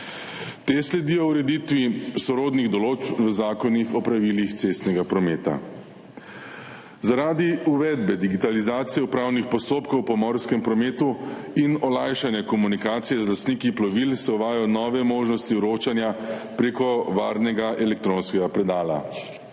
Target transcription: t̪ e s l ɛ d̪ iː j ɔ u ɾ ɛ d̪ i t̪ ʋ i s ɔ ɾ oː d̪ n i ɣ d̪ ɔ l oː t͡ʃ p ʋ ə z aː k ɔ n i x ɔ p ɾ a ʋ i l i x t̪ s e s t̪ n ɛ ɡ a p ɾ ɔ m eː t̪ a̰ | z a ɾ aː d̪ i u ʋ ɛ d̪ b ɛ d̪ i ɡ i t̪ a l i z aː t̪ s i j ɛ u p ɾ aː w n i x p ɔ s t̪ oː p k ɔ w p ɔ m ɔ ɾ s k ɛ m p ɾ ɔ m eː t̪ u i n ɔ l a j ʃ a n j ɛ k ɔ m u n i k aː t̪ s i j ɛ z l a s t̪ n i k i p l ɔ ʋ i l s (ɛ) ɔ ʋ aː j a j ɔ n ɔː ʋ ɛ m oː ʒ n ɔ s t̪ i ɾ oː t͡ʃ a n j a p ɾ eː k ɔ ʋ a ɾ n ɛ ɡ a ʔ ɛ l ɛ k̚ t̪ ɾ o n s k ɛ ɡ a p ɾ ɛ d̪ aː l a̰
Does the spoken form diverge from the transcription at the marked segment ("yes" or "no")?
no